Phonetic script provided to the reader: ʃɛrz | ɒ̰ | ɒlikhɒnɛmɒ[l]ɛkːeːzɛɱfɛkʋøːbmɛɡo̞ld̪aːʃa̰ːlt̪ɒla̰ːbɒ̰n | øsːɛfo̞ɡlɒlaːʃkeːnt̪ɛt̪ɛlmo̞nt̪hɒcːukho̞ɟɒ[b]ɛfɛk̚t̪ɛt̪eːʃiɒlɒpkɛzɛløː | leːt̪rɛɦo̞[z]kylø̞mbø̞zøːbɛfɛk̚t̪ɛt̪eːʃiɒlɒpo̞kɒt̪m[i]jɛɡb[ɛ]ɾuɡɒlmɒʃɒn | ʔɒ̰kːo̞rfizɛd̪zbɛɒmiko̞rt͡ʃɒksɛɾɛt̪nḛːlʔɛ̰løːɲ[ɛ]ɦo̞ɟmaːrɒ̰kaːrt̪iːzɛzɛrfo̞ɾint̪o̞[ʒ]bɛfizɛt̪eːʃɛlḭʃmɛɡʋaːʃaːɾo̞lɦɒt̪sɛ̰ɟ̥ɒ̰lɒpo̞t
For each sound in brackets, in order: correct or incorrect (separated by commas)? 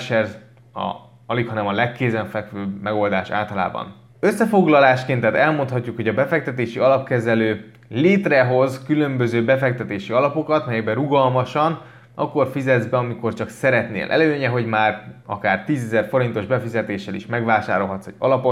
correct, correct, correct, incorrect, correct, correct, correct